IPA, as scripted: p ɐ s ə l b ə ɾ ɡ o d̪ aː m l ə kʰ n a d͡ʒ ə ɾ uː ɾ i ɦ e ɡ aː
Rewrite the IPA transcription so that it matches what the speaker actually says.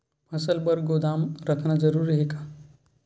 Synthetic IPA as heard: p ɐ s ə l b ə ɾ ɡ o d̪ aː m ɾ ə kʰ n a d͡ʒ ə ɾ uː ɾ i ɦ e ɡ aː